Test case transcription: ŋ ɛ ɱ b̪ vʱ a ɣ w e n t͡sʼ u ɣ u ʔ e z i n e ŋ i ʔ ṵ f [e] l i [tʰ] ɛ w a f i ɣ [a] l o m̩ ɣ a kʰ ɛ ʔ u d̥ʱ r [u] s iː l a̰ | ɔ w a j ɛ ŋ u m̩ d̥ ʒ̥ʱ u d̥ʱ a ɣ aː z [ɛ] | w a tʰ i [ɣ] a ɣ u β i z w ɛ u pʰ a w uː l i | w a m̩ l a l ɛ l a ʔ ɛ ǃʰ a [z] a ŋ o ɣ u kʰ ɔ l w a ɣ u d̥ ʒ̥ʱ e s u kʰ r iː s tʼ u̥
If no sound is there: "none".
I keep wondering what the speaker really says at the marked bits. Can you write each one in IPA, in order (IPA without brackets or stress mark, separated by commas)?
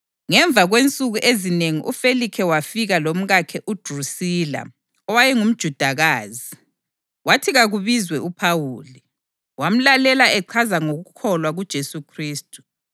e, kʰ, a, u, i, ɣ, z